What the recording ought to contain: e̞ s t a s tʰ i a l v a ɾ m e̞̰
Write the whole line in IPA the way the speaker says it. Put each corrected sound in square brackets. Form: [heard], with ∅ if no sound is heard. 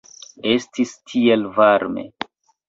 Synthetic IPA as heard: e̞ s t [i] s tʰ i [e] l v a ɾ m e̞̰